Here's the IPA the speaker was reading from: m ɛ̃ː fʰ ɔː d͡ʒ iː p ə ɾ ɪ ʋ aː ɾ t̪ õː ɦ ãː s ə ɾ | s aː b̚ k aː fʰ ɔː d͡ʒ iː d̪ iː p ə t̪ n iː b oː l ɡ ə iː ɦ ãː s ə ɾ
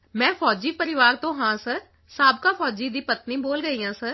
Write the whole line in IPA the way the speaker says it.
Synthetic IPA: m ɛ̃ː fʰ ɔː d͡ʒ iː p ə ɾ ɪ ʋ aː ɾ t̪ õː ɦ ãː s ə ɾ | s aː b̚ k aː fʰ ɔː d͡ʒ iː d̪ iː p ə t̪ n iː b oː l ɡ ə iː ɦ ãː s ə ɾ